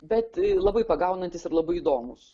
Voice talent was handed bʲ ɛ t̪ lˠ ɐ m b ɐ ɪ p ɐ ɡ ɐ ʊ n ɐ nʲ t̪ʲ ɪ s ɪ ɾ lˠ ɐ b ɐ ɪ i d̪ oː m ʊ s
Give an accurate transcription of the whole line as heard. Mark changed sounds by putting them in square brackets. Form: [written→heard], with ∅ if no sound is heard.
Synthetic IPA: bʲ ɛ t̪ lˠ ɐ [m→∅] b ɐ ɪ p ɐ ɡ ɐ ʊ n ɐ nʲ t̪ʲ ɪ s ɪ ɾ lˠ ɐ b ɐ ɪ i d̪ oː m ʊ s